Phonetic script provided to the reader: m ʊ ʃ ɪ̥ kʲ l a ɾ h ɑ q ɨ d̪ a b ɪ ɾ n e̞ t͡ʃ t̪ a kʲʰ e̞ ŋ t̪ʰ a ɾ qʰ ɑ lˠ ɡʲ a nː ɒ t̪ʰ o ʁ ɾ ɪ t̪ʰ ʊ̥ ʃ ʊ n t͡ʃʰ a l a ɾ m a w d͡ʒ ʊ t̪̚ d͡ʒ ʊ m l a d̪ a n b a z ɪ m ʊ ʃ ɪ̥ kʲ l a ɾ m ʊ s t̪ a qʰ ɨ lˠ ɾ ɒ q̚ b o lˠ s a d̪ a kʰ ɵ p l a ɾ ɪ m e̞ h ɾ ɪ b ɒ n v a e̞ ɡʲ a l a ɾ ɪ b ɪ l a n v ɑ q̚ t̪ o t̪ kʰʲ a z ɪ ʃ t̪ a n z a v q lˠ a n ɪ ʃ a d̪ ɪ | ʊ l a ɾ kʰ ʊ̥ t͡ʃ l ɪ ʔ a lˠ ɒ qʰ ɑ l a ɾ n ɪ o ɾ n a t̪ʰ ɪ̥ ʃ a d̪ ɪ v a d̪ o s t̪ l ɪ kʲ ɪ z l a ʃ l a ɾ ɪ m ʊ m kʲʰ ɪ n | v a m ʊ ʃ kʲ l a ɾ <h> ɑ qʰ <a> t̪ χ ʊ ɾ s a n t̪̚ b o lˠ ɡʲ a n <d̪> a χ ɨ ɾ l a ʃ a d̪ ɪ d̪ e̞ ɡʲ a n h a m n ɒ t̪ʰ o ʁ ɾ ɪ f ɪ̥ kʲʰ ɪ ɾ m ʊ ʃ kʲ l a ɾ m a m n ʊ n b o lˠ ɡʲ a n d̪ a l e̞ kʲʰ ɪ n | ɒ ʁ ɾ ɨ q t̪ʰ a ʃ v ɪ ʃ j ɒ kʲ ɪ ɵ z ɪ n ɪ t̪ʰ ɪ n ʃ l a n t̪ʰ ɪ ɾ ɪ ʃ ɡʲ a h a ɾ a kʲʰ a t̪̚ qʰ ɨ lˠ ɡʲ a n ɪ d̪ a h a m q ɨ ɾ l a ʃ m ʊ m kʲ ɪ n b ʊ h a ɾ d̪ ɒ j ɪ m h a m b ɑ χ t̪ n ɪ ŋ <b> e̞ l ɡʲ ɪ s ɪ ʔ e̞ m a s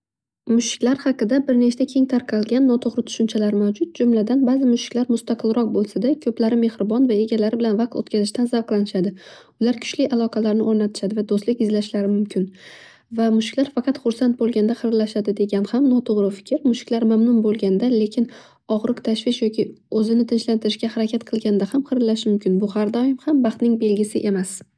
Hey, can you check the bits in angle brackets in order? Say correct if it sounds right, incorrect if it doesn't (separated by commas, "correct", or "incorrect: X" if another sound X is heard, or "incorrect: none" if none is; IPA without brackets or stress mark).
incorrect: f, incorrect: ɑ, correct, correct